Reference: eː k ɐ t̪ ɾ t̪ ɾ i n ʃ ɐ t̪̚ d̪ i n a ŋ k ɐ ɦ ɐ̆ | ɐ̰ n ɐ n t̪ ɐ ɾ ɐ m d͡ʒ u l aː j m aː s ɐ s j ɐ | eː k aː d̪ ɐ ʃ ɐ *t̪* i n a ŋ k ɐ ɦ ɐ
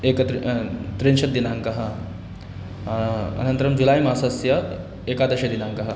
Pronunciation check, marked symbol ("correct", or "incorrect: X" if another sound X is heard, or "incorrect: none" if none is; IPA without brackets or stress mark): incorrect: d̪